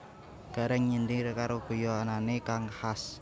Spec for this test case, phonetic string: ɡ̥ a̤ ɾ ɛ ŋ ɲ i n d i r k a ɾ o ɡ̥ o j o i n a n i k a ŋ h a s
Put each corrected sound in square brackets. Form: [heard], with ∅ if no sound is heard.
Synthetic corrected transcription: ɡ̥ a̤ ɾ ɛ ŋ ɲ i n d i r k a ɾ o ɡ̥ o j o [a] n a n [e] k a ŋ h a s